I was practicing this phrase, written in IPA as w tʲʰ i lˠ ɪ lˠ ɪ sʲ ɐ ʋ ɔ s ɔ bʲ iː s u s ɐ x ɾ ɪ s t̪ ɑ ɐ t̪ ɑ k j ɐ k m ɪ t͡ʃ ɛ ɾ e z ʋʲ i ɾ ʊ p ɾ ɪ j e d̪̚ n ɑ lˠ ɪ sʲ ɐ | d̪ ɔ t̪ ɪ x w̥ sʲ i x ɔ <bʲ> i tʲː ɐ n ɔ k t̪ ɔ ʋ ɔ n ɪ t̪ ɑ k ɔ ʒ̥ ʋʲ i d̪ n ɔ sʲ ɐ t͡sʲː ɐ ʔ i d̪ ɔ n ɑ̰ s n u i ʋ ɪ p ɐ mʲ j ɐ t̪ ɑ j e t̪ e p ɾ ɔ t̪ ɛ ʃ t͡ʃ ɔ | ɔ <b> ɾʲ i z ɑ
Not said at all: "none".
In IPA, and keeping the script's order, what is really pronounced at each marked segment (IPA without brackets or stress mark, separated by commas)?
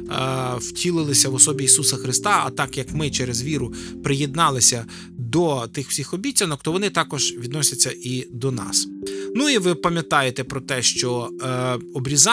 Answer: bʲ, b